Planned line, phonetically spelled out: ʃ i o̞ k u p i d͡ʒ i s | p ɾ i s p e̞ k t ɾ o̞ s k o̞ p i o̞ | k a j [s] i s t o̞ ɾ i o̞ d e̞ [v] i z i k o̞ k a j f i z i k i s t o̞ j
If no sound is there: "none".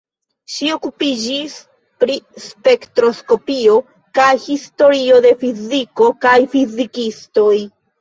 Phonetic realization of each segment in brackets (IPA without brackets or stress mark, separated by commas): h, f